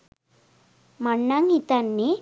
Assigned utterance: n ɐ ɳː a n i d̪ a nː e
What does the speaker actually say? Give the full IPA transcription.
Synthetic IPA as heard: m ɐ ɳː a ŋ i t̪ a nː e